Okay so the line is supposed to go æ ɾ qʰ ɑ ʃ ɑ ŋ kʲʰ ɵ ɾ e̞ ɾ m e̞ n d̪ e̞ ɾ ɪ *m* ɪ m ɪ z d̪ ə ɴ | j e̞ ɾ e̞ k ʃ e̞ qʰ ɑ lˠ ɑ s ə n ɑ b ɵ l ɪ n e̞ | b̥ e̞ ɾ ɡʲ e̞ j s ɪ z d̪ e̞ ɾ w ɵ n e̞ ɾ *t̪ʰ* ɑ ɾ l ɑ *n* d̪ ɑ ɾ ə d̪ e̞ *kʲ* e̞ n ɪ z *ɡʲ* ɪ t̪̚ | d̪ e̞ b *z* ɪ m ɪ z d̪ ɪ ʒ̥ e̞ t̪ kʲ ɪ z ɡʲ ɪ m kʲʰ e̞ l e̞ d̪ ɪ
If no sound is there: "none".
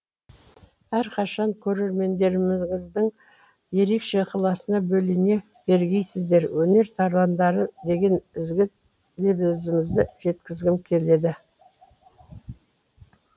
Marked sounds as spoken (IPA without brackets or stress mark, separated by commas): m, t̪ʰ, n, ɡʲ, ɡʲ, z